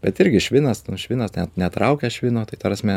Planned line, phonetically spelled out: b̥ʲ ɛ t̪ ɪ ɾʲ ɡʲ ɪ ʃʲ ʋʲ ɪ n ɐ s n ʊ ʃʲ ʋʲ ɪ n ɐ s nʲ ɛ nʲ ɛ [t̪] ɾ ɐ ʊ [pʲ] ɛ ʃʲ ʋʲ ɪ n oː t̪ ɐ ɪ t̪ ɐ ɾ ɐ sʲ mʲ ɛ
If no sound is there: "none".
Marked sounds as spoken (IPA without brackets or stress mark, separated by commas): t̪, kʲ